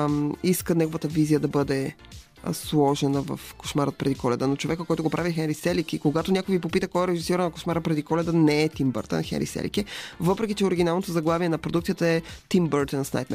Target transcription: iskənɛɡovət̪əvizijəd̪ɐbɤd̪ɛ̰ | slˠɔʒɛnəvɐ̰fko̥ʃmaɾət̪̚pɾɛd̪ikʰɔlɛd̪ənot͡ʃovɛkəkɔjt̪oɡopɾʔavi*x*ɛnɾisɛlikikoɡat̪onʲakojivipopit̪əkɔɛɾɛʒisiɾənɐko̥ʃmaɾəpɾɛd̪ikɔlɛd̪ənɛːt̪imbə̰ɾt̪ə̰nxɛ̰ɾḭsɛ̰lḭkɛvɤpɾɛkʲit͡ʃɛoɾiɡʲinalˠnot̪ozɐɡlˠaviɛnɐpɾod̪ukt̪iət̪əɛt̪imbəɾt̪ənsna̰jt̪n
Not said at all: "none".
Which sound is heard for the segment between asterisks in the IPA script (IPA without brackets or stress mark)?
x